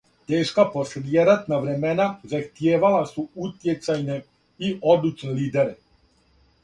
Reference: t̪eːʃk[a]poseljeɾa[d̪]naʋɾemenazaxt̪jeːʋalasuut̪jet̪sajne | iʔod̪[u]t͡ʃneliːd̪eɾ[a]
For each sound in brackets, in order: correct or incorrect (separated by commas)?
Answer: correct, incorrect, correct, incorrect